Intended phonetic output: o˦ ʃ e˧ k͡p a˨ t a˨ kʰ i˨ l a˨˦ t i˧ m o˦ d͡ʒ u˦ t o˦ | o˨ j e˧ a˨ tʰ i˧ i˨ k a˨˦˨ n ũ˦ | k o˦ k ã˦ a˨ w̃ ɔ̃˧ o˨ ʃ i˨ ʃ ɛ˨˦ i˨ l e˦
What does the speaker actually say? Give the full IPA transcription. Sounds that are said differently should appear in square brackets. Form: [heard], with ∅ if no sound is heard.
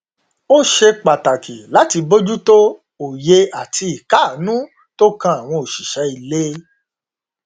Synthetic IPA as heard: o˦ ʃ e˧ k͡p a˨ t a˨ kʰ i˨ l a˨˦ t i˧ [b] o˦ d͡ʒ u˦ t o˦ | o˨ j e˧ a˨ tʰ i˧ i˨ k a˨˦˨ n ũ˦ | [t] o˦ k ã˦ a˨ w̃ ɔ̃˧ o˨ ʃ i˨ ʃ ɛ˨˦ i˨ l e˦